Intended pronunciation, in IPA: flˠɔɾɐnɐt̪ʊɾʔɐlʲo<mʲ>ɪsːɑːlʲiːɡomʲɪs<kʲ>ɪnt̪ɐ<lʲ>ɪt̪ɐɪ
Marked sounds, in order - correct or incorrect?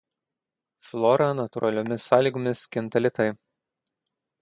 correct, correct, correct

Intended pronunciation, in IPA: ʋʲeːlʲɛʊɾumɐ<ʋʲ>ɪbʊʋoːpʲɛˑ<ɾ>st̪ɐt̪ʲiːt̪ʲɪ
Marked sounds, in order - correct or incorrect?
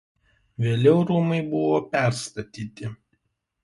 incorrect: none, correct

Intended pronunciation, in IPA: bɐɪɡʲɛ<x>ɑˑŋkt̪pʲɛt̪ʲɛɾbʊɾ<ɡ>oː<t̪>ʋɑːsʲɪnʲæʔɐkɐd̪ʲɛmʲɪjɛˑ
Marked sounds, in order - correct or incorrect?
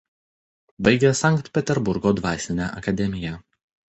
incorrect: s, correct, incorrect: d̪

